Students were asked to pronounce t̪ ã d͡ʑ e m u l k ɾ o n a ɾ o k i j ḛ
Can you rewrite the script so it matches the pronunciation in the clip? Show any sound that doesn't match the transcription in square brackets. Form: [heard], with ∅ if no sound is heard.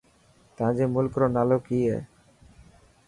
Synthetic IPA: t̪ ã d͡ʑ e m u l k ɾ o n a [l] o k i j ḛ